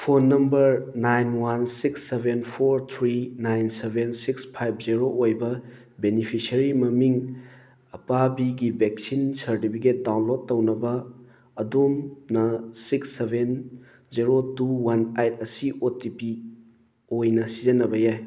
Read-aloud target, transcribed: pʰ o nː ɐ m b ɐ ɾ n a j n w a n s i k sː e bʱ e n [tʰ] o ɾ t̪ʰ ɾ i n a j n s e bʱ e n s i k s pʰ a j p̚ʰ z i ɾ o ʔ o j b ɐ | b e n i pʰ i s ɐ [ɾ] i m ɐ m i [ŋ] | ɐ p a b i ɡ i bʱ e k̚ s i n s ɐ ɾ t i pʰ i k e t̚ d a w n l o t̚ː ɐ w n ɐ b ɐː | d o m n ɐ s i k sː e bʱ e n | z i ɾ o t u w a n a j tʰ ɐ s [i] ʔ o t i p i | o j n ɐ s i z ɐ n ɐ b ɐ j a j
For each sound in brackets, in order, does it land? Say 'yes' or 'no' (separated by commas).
no, yes, yes, yes